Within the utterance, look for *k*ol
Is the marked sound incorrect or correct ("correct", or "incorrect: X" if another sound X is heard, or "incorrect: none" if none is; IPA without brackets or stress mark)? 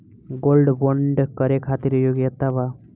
incorrect: ɡ